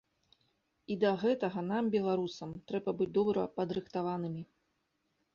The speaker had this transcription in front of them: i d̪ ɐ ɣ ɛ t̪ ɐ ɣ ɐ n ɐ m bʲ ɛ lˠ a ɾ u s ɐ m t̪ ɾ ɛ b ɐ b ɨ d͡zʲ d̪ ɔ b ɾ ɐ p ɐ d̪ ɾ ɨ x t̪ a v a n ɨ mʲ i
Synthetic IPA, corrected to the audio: i d̪ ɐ ɣ ɛ t̪ ɐ ɣ ɐ n a m bʲ ɛ lˠ a ɾ u s ɐ m t̪ ɾ ɛ b ɐ b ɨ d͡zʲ d̪ ɔ b ɾ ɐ p ɐ d̪ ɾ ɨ x t̪ a v a n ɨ mʲ i